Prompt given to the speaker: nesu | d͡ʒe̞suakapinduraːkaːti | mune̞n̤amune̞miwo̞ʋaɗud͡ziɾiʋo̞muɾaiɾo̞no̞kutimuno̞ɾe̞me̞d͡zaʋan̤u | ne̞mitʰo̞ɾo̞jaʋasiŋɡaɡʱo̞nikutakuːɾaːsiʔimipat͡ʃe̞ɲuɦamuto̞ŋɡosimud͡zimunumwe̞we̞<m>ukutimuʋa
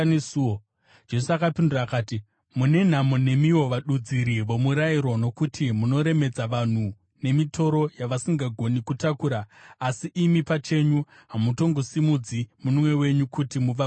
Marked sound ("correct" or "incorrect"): incorrect